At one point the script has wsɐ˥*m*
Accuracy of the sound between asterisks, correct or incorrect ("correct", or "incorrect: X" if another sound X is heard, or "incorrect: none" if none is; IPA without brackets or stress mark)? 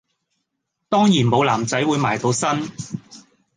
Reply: incorrect: n